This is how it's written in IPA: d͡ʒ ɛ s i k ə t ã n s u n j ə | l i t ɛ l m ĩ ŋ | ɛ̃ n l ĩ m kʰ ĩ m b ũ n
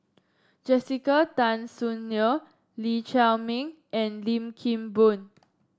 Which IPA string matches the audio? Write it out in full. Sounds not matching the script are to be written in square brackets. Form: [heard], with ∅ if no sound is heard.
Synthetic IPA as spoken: d͡ʒ ɛ s i k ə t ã n s u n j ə | l i [t͡ʃ] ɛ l m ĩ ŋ | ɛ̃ n l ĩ m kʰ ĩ m b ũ n